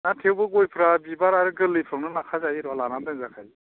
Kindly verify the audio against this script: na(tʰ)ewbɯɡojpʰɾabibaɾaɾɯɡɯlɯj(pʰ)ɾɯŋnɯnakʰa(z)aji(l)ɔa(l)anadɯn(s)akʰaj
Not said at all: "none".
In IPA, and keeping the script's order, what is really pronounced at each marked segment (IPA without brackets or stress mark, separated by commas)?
tʰ, pʰ, z, ɾ, l, z